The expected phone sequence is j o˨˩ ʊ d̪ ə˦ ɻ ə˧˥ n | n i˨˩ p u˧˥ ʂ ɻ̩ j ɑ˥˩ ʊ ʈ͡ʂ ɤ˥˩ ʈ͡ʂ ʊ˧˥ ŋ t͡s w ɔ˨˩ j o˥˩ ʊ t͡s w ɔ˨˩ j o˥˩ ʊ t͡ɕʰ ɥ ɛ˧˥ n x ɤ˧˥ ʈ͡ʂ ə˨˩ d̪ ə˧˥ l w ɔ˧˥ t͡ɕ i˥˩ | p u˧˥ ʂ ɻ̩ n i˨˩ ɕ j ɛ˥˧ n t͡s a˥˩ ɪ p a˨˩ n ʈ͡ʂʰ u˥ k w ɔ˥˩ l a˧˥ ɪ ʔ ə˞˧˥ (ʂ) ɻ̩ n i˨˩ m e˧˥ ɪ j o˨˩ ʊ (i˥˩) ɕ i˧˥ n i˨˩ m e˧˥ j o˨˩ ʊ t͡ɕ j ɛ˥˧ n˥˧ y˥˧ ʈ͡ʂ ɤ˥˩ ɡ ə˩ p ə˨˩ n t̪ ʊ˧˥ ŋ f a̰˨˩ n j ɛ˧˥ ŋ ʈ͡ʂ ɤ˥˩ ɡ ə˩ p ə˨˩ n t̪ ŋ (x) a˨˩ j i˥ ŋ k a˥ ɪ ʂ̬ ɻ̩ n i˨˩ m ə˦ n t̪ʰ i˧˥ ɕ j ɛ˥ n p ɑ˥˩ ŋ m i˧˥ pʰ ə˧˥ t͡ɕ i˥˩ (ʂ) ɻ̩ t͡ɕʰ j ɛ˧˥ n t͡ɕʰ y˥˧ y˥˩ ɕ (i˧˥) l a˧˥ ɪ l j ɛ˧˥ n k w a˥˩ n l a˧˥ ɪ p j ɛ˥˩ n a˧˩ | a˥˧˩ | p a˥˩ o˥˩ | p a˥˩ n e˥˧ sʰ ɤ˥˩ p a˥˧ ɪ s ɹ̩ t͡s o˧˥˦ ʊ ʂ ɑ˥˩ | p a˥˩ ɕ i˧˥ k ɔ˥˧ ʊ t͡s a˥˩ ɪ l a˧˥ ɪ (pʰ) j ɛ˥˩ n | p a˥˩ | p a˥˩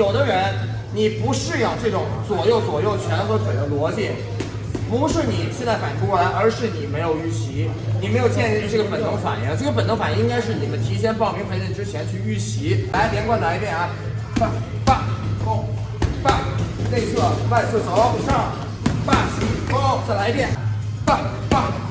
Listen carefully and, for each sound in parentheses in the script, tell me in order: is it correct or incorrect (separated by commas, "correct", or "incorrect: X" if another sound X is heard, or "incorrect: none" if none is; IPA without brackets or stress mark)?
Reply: correct, incorrect: y˥˩, incorrect: f, incorrect: ʈ͡ʂ, correct, incorrect: p